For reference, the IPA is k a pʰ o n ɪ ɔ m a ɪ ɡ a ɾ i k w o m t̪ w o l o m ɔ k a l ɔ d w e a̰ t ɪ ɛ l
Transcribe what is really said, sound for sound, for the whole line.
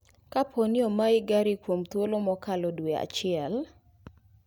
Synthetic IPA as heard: k a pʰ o n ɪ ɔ m a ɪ ɡ a ɾ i k w o m t̪ w o l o m ɔ k a l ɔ d w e a̰ t͡ʃ ɪ ɛ l